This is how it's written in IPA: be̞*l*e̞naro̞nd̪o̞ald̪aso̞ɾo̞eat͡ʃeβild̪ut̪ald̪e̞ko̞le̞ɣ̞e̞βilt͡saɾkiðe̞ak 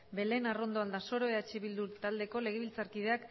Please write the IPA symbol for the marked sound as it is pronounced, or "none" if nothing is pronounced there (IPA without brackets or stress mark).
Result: l